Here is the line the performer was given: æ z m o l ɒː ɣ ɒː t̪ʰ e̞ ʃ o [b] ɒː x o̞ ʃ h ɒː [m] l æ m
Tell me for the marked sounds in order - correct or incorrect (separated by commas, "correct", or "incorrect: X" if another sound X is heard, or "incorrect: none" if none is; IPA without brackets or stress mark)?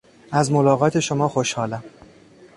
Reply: incorrect: m, incorrect: none